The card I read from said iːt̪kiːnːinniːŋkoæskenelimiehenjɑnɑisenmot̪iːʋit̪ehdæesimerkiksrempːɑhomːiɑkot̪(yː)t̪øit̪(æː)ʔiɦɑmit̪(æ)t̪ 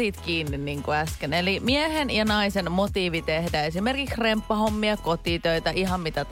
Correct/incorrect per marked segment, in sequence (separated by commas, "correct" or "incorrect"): incorrect, incorrect, correct